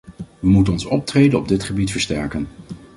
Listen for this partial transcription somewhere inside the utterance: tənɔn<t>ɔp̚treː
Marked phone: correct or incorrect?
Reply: incorrect